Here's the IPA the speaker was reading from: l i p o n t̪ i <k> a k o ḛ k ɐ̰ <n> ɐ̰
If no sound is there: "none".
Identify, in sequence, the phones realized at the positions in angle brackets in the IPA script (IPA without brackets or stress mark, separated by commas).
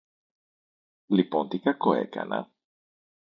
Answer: k, n